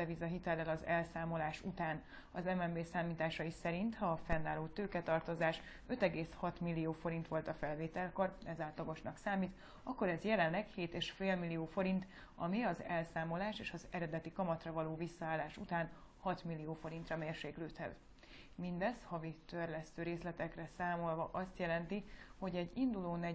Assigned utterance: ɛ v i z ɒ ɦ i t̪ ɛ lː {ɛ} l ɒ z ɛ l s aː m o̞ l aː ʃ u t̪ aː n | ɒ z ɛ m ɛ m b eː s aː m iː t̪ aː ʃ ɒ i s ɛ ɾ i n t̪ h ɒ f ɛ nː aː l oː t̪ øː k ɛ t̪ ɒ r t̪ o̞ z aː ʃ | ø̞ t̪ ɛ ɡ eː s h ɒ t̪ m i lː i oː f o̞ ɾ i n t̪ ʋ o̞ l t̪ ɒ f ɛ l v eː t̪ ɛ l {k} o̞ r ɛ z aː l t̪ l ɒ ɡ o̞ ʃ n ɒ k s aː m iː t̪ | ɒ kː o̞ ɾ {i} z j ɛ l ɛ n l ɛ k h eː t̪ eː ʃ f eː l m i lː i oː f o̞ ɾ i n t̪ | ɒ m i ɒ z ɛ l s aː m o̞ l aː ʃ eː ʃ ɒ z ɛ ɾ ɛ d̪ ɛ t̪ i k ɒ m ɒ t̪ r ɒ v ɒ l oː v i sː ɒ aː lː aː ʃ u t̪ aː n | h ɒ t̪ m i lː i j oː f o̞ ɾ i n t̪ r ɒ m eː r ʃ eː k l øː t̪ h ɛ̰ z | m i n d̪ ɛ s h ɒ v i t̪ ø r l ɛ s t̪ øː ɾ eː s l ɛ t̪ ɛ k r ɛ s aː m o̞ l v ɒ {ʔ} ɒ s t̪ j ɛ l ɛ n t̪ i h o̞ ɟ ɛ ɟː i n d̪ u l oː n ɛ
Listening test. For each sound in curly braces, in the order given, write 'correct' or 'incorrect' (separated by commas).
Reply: correct, correct, incorrect, correct